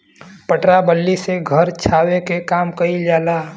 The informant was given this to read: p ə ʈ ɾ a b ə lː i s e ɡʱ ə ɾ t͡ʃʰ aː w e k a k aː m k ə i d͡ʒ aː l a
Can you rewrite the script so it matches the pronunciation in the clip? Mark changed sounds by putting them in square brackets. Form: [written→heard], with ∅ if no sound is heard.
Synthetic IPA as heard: p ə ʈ ɾ a b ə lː i s e ɡʱ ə ɾ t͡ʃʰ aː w e k [a→e] k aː m k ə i d͡ʒ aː l a

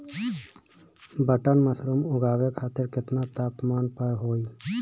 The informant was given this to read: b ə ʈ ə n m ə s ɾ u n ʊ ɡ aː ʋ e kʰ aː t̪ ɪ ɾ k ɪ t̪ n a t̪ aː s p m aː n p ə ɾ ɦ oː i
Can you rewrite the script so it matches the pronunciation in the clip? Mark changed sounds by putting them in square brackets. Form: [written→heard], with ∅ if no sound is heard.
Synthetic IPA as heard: b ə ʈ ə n m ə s ɾ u [n→m] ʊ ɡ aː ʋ e kʰ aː t̪ ɪ ɾ k ɪ t̪ n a t̪ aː [s→∅] p m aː n p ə ɾ ɦ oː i

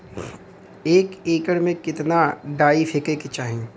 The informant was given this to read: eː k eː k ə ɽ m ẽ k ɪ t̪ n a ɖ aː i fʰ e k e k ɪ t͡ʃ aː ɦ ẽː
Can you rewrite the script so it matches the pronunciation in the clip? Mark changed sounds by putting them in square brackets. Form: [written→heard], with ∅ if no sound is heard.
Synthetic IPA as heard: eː k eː k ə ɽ m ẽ k ɪ t̪ n a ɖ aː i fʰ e k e k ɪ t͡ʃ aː ɦ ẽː

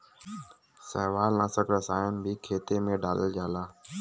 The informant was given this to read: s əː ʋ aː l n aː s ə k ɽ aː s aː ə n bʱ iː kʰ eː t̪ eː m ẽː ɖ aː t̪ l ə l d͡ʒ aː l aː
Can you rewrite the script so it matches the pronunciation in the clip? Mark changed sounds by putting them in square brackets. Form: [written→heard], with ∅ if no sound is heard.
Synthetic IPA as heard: s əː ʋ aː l n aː s ə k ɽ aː s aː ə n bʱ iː kʰ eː t̪ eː m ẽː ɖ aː [t̪→∅] l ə l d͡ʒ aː l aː

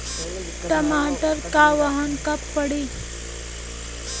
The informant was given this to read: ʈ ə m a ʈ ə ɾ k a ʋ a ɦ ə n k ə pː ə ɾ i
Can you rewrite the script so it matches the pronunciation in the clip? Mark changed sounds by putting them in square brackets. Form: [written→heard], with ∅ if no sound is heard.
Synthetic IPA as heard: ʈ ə m a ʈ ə ɾ k a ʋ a ɦ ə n k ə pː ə [ɾ→ɽ] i

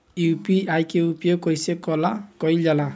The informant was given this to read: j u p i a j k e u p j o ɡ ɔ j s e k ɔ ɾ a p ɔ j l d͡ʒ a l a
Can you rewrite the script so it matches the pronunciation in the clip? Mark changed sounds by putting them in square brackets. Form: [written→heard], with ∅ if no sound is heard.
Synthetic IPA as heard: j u p i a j k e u p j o [ɡ→k] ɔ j s e k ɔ [ɾ→l] a [p→k] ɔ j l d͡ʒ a l a

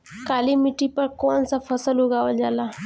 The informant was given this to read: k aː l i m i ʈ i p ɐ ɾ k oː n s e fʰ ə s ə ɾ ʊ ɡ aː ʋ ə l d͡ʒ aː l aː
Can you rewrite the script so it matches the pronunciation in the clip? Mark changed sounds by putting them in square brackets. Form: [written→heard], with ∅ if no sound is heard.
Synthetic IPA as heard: k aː l i m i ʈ i p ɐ ɾ k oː n s [e→a] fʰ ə s ə [ɾ→l] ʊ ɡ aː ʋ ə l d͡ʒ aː l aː

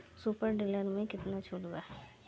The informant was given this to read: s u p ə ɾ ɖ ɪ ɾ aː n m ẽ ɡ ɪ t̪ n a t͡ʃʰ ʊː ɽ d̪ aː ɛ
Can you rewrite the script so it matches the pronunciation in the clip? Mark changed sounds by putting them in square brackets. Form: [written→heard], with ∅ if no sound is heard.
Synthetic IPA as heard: s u p ə ɾ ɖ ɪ [ɾ→l] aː n m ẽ [ɡ→k] ɪ t̪ n a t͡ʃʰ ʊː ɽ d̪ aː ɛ

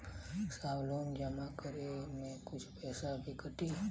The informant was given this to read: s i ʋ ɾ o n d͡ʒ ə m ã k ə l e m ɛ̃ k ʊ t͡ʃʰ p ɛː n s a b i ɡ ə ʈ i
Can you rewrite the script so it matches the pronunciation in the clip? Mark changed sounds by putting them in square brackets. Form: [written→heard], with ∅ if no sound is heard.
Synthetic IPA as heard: s [i→a] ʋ [ɾ→l] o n d͡ʒ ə m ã k ə [l→ɾ] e m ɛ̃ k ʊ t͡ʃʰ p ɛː [n→∅] s a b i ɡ ə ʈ i

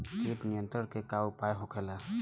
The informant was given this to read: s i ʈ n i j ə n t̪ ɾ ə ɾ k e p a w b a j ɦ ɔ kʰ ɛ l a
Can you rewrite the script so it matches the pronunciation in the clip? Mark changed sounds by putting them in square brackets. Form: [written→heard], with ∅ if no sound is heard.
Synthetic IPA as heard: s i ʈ n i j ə n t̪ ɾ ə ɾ k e [p→k] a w [b→p] a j ɦ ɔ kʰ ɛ l a

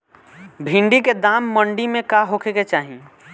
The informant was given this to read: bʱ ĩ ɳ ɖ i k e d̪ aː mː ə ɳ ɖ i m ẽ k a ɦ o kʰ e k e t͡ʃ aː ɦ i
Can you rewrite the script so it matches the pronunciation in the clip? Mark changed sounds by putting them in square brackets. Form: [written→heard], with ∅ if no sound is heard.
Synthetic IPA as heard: bʱ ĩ ɳ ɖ i k e d̪ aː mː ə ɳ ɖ i m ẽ k a ɦ o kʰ e k e t͡ʃ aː ɦ i

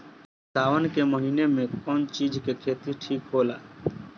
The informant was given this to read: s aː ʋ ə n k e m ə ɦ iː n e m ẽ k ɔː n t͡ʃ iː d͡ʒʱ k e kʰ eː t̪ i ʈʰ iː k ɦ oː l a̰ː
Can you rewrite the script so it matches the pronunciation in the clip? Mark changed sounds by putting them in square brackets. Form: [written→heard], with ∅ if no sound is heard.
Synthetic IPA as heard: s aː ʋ ə n k e m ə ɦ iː n e m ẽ k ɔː n t͡ʃ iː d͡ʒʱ k e kʰ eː t̪ i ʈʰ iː k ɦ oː l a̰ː

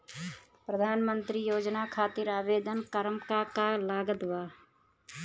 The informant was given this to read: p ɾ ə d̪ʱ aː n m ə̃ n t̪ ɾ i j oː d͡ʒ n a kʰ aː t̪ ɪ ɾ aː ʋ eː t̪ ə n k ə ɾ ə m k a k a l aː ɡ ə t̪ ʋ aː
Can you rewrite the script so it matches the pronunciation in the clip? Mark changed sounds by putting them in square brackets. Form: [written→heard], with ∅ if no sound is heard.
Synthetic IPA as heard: p ɾ ə d̪ʱ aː n m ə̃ n t̪ ɾ i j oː d͡ʒ n a kʰ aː t̪ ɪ ɾ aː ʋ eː [t̪→d̪] ə n k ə ɾ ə m k a k a l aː ɡ ə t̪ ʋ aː

